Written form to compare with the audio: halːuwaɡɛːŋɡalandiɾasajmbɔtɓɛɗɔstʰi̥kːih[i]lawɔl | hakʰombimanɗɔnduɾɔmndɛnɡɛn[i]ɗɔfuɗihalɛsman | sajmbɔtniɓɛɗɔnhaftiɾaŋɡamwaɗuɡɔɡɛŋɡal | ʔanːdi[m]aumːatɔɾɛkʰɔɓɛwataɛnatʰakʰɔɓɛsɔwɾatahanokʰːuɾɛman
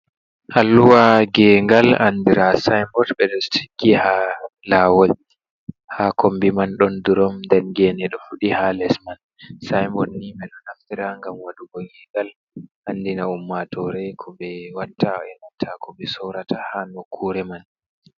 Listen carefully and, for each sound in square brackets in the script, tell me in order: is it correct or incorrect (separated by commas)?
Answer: incorrect, incorrect, incorrect